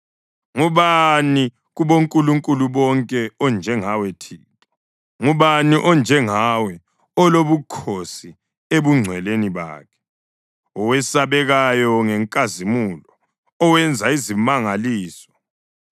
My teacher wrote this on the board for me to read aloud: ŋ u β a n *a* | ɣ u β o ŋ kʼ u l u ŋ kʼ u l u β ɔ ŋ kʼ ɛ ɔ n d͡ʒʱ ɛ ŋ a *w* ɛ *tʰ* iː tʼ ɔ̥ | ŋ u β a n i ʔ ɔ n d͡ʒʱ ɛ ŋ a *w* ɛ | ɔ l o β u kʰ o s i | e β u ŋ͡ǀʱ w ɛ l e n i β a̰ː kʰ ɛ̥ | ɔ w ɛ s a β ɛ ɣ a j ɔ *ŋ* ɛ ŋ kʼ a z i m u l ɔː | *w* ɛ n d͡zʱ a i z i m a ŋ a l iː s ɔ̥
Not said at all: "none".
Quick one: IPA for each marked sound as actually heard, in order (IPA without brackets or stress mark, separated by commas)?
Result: i, w, tʰ, w, ŋ, w